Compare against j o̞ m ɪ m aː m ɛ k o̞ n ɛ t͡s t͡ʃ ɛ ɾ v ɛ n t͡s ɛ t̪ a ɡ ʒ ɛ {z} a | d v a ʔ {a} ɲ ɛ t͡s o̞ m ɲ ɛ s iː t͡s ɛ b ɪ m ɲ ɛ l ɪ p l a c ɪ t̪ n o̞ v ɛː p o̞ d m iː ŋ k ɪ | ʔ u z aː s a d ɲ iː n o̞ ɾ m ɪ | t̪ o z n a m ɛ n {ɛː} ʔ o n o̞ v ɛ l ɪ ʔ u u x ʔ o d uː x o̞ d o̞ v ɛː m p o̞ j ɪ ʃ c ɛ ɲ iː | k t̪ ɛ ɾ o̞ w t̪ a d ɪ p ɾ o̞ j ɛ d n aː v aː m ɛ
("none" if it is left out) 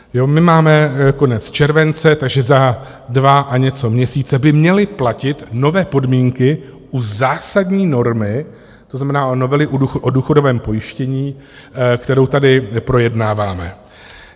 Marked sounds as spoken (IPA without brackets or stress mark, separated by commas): z, a, aː